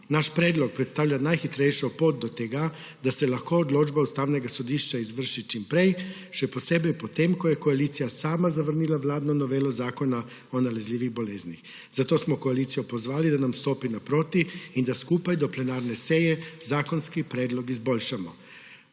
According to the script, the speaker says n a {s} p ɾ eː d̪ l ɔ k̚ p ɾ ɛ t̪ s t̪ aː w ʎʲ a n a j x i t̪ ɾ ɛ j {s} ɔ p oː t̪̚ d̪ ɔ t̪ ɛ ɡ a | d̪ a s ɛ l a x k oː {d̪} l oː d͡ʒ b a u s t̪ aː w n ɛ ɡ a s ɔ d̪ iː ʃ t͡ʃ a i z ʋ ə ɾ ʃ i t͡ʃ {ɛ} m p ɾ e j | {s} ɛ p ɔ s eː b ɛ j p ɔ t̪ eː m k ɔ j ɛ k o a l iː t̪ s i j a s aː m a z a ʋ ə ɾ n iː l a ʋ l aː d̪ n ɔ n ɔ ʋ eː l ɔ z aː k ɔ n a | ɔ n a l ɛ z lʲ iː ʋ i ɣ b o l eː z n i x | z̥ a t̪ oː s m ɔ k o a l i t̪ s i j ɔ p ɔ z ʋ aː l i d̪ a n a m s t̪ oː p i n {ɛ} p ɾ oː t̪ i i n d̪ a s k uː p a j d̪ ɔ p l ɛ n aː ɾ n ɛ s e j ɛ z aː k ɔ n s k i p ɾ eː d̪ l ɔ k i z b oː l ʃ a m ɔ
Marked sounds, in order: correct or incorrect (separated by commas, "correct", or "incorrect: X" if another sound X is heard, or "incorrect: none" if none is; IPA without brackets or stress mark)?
incorrect: ʃ, incorrect: ʃ, correct, incorrect: i, incorrect: ʃ, incorrect: a